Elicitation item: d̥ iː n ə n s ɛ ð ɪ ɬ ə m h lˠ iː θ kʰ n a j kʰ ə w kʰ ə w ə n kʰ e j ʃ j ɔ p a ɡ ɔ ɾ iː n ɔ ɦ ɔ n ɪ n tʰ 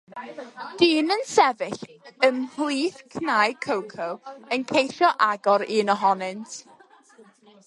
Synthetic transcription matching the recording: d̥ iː n ə n s ɛ v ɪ ɬ ə m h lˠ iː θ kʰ n a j kʰ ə w kʰ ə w ə n kʰ e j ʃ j ɔ ʔ a ɡ ɔ ɾ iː n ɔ ɦ ɔ n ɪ n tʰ